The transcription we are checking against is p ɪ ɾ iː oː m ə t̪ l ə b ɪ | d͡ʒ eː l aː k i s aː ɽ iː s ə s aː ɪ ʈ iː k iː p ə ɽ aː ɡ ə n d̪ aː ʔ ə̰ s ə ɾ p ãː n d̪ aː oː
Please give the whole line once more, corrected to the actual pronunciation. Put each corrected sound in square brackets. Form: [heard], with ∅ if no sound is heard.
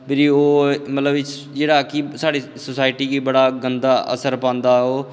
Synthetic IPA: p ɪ ɾ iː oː m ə t̪ l ə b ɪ | d͡ʒ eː [ɽ] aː k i s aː ɽ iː s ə s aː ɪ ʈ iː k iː [b] ə ɽ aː ɡ ə n d̪ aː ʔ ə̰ s ə ɾ p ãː n d̪ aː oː